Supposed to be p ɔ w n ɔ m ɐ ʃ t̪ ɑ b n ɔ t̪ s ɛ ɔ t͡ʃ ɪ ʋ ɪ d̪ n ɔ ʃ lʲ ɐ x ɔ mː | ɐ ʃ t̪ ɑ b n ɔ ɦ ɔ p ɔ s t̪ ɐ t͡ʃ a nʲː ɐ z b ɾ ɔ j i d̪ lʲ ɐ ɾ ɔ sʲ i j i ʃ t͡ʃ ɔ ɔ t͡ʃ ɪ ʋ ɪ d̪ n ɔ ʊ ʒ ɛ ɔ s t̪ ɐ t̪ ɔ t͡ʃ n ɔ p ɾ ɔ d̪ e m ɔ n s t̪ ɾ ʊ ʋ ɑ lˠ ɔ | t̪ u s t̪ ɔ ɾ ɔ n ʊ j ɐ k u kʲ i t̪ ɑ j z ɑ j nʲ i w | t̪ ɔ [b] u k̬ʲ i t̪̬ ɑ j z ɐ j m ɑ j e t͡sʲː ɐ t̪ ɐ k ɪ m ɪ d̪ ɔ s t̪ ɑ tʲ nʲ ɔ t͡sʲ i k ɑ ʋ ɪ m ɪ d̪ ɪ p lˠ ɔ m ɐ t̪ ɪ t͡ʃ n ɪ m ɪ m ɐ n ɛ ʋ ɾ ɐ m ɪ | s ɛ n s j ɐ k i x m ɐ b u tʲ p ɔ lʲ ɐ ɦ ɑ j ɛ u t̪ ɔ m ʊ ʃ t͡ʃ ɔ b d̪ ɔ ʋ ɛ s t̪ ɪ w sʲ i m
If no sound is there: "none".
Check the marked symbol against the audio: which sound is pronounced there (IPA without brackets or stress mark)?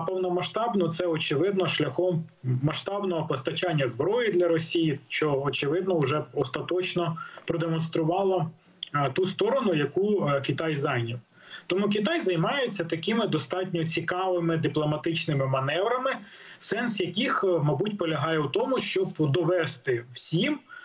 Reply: m